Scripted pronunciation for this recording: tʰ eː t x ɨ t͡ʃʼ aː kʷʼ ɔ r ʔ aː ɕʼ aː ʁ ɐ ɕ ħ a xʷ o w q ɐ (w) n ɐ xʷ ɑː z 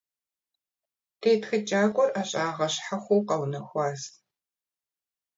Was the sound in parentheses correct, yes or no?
yes